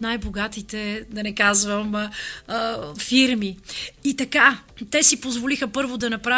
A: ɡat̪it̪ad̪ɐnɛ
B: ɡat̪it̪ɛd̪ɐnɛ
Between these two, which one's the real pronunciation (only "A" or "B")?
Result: B